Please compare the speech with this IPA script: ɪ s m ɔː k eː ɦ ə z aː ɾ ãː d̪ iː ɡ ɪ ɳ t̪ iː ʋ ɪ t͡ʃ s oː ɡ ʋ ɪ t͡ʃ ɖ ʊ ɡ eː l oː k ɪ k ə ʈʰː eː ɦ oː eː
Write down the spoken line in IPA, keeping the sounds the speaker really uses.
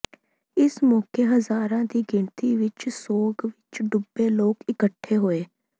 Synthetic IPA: ɪ s m ɔː k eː ɦ ə z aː ɾ ãː d̪ iː ɡ ɪ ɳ t̪ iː ʋ ɪ t͡ʃ s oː ɡ ʋ ɪ t͡ʃ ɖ ʊ b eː l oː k ɪ k ə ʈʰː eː ɦ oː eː